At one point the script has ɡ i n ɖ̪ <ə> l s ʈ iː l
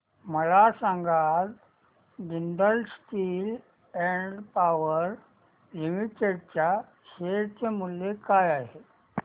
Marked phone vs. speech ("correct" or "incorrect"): correct